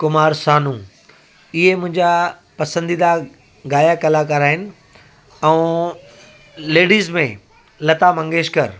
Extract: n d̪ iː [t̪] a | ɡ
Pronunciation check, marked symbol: incorrect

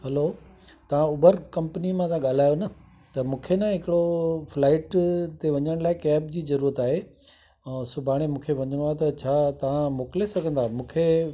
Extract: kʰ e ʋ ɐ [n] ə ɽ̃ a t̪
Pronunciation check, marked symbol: incorrect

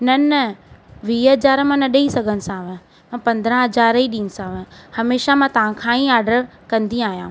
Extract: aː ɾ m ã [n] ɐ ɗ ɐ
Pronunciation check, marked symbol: correct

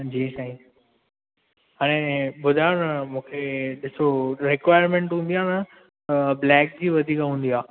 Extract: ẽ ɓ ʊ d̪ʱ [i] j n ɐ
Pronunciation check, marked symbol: incorrect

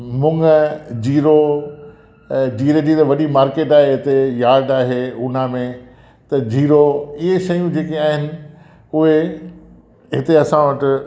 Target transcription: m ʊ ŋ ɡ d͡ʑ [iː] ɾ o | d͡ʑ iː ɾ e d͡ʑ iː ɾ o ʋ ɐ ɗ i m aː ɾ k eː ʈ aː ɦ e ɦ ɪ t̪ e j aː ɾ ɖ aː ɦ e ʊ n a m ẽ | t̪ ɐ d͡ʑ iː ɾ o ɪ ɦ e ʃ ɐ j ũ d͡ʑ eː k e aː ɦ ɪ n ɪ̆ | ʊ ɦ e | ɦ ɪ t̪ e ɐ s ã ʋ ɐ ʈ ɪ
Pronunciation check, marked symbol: correct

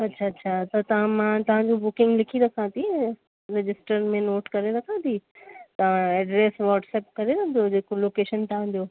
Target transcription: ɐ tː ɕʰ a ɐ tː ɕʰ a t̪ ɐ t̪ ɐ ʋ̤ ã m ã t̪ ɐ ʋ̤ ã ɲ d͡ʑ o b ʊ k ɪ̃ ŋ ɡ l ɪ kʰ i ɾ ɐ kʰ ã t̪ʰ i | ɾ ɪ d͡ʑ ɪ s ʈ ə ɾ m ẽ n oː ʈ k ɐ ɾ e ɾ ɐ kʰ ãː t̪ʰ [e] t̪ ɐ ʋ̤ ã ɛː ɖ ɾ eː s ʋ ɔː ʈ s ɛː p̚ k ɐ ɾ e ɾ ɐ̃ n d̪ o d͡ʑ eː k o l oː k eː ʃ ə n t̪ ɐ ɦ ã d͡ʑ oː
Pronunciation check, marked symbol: incorrect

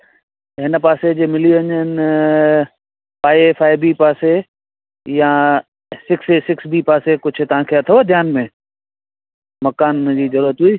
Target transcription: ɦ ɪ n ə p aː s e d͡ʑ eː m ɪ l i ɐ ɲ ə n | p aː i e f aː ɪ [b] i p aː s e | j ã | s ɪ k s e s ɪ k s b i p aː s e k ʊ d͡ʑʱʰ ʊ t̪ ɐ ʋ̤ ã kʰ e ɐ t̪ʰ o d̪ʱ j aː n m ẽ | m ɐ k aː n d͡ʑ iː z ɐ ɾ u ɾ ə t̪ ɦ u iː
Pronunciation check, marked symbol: correct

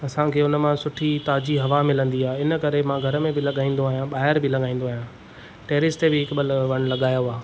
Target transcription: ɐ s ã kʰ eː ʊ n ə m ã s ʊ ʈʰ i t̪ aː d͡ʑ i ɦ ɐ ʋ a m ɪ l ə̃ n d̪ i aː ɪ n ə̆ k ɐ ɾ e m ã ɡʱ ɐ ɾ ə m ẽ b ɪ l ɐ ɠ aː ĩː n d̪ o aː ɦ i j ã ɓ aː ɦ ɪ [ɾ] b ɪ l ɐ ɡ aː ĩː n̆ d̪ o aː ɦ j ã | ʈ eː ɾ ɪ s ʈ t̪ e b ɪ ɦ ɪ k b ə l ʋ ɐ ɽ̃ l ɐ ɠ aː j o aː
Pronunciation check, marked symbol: correct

